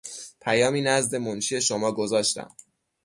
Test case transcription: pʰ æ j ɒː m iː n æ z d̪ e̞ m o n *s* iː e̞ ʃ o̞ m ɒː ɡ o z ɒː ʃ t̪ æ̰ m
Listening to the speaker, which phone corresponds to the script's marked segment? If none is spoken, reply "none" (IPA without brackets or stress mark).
ʃ